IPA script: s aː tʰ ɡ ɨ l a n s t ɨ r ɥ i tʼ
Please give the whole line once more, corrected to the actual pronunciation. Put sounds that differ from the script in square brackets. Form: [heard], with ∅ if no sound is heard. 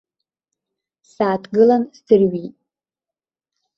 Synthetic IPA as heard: s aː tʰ ɡ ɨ l a n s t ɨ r ɥ i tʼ